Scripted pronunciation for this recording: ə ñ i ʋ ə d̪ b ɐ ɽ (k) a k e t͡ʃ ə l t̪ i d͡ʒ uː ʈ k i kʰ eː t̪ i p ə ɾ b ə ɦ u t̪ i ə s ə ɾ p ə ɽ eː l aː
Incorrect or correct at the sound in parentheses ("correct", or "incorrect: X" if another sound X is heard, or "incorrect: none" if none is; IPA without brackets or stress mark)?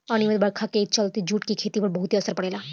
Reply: incorrect: kʰ